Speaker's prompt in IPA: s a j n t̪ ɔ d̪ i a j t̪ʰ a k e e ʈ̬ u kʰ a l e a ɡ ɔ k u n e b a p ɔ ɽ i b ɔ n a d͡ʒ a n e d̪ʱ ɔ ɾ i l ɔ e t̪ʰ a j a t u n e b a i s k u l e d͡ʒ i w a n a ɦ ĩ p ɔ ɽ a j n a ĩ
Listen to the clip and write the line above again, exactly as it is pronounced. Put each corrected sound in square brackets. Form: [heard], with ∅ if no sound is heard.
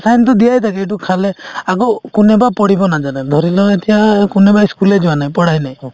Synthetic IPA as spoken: s a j n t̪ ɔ d̪ i a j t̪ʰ a k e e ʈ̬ u kʰ a l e a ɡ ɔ k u n e b a p ɔ ɽ i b ɔ n a d͡ʒ a n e d̪ʱ ɔ ɾ i l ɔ e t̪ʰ [i] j a [k] u n e b a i s k u l e d͡ʒ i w a n a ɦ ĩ p ɔ ɽ a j n a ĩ